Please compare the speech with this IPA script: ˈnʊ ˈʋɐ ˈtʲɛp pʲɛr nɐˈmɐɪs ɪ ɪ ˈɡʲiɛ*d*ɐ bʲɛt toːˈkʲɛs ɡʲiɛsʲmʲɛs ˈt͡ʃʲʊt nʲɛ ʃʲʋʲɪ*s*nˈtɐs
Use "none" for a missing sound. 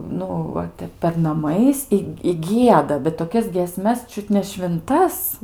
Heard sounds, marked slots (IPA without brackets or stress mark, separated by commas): d, none